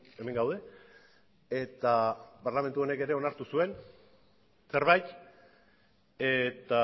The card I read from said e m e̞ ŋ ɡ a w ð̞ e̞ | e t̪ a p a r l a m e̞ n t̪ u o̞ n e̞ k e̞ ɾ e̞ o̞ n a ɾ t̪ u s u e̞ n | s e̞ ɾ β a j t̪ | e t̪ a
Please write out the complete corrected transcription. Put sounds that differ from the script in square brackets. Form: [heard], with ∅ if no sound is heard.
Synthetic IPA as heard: e m e̞ ŋ ɡ a w ð̞ e̞ | e t̪ a p a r l a m e̞ n t̪ u o̞ n e̞ k e̞ ɾ e̞ o̞ n a ɾ t̪ u s u e̞ n | s e̞ ɾ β a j t̪ | e t̪ a